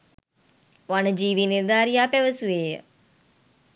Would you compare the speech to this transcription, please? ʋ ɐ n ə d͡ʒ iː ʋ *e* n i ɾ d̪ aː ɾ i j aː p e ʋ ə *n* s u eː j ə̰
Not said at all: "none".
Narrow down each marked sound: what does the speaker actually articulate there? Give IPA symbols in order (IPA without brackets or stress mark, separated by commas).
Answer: i, none